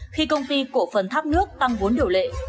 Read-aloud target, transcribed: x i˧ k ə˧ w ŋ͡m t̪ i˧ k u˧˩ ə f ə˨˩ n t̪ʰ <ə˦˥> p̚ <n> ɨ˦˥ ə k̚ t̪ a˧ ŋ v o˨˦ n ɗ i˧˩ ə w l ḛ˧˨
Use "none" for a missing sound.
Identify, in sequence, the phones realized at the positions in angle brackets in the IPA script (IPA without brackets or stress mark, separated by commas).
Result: a˦˥, n